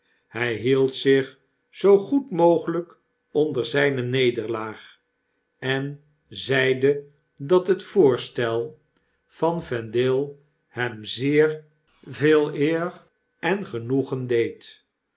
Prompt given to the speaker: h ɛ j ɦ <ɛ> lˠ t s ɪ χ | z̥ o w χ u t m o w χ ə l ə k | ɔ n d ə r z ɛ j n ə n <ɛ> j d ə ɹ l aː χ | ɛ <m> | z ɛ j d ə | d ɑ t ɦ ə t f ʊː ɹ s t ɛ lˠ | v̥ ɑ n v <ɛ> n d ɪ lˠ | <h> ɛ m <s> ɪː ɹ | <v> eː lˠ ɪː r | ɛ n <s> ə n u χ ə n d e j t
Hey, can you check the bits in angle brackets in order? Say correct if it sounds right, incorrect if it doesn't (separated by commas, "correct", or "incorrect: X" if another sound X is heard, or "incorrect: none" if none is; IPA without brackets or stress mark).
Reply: incorrect: i, incorrect: e, incorrect: n, correct, correct, incorrect: z, correct, incorrect: χ